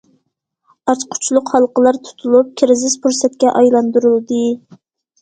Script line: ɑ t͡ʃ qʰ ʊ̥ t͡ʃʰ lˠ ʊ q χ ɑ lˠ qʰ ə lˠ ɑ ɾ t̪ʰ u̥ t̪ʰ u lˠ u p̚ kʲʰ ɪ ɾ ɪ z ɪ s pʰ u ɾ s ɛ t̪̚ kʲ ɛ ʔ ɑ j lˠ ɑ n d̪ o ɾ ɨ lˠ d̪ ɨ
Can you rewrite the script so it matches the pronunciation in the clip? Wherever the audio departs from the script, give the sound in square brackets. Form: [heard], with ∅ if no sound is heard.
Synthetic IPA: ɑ t͡ʃ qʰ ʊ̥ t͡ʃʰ lˠ ʊ q [h] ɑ lˠ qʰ ə lˠ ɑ ɾ t̪ʰ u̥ t̪ʰ u lˠ u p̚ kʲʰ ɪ ɾ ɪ z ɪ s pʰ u ɾ s ɛ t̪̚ kʲ ɛ ʔ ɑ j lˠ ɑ n d̪ [u] ɾ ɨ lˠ d̪ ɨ